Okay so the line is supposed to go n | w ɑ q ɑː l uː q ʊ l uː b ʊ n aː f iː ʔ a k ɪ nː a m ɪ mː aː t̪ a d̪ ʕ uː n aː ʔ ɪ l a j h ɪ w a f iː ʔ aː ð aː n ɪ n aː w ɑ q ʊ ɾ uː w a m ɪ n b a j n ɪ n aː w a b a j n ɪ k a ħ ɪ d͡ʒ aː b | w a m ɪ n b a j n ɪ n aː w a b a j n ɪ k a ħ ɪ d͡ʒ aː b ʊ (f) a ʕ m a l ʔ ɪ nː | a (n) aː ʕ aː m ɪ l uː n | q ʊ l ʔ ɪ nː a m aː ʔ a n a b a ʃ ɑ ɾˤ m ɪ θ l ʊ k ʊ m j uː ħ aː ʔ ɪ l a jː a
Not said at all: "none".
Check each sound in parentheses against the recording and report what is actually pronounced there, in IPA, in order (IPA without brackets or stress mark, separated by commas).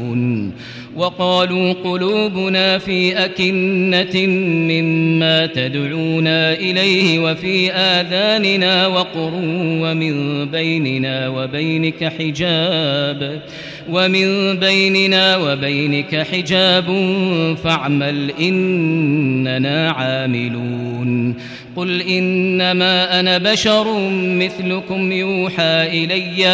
f, n